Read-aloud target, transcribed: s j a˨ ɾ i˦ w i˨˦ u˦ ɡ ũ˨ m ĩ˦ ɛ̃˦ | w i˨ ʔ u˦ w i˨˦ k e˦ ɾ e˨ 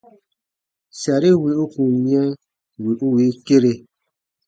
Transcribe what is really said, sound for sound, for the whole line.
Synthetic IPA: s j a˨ ɾ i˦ w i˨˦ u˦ k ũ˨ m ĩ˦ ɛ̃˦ | w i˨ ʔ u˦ w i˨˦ k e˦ ɾ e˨